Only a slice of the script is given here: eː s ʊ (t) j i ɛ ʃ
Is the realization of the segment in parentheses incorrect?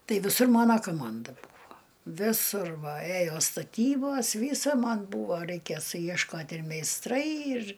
yes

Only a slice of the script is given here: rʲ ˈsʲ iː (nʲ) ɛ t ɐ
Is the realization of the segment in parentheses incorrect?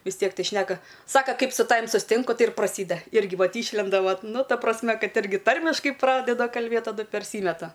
yes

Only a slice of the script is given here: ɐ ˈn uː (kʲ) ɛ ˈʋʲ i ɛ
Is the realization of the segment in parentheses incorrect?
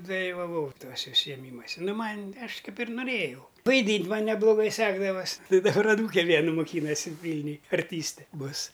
no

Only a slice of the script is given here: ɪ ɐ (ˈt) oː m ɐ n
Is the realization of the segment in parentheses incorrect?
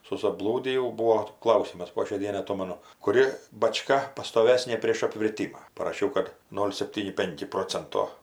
no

